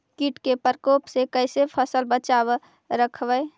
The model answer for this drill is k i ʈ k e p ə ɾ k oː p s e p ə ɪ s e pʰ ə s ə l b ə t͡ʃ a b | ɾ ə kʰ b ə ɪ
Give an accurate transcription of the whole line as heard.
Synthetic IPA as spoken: k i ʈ k e p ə ɾ k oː p s e k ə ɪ s e pʰ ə s ə l b ə t͡ʃ a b | ɾ ə kʰ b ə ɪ